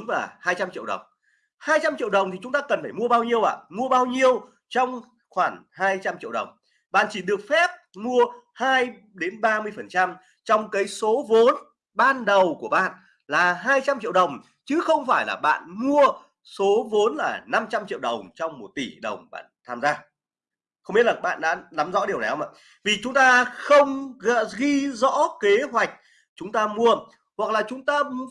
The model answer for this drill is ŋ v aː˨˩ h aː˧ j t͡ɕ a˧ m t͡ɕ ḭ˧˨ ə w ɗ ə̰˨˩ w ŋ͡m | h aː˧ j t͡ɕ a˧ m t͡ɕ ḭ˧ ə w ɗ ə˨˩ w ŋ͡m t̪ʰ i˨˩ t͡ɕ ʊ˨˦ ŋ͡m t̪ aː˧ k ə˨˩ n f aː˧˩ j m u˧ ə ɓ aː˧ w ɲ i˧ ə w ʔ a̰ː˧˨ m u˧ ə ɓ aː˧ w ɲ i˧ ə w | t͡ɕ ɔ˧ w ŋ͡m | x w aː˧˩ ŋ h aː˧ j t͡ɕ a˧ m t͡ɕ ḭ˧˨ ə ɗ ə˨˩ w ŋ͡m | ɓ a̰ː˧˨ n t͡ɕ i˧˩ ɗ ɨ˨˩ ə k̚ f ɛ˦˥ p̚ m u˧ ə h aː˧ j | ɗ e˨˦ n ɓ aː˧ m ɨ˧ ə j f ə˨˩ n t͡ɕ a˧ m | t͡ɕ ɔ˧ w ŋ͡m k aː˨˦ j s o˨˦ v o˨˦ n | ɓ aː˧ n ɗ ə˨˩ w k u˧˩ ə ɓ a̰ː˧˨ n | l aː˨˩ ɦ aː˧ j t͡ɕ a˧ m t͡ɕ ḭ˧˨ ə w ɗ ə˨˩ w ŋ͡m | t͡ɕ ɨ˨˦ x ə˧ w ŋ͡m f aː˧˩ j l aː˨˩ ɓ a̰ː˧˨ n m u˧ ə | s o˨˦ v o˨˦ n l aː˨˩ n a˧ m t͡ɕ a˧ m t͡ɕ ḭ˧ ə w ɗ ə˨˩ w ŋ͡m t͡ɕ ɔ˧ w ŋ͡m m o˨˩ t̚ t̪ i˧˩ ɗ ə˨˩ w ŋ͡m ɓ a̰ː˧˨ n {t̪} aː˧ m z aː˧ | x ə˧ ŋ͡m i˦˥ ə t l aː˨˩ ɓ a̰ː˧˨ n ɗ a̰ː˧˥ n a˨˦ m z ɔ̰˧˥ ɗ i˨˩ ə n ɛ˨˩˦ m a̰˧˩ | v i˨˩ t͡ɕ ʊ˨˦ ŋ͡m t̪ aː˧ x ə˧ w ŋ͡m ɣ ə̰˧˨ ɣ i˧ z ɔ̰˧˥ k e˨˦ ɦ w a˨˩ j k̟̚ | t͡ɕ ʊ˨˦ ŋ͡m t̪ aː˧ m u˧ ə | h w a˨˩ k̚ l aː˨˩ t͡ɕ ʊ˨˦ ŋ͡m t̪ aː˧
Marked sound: incorrect: t̪ʰ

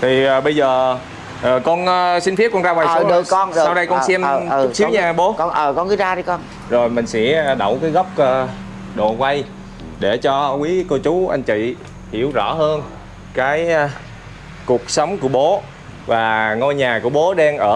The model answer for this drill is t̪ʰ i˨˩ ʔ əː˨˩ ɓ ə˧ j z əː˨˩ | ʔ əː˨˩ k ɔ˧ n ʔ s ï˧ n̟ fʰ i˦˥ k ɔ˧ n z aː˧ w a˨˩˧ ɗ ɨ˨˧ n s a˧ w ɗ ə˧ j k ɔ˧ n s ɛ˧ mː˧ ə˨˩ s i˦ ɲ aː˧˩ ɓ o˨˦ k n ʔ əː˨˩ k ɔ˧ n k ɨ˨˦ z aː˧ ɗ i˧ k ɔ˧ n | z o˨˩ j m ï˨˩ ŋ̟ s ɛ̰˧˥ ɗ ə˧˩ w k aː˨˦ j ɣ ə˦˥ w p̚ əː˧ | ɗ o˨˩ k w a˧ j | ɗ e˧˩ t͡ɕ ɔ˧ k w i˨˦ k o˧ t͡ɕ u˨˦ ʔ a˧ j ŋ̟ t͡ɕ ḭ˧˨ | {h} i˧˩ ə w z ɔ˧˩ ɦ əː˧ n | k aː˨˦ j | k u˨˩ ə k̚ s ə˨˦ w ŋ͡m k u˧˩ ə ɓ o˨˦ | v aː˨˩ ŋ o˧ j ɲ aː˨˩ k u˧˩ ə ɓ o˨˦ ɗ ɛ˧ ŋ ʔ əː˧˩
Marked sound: correct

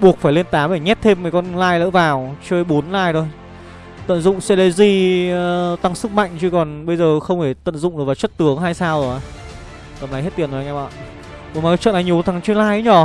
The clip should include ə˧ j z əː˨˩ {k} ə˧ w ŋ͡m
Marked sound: incorrect: x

